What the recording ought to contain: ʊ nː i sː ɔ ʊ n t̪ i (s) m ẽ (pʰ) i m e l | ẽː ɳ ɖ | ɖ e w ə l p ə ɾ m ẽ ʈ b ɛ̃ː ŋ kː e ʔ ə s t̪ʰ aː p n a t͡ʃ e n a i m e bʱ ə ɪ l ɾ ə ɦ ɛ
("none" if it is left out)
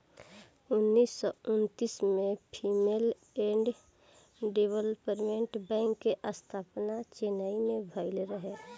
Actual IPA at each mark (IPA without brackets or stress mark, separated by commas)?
s, pʰ